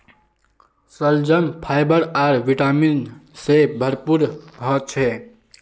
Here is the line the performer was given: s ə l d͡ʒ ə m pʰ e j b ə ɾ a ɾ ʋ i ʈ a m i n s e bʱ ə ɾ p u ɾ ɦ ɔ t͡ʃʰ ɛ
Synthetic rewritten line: s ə l d͡ʒ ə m pʰ a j b ə ɾ a ɾ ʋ i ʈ a m i n s e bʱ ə ɾ p u ɾ ɦ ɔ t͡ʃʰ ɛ